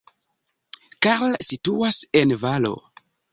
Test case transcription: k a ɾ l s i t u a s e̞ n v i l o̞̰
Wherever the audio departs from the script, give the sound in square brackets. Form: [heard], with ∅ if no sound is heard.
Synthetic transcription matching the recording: k a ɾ l s i t u a s e̞ n v [a] l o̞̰